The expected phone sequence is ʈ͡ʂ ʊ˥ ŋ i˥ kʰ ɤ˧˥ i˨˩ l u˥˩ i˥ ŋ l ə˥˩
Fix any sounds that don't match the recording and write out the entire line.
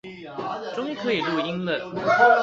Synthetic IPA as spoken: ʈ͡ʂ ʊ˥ ŋ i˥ kʰ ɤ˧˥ i˨˩ l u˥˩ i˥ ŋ l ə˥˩